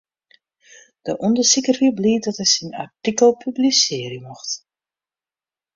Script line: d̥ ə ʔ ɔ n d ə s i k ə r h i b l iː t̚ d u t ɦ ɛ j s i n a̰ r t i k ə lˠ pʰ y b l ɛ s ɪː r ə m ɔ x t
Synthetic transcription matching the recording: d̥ ə ʔ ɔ n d ə s i k ə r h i b l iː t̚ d ɔ t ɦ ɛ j s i n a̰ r t i k ə lˠ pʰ y b l i s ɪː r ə m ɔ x t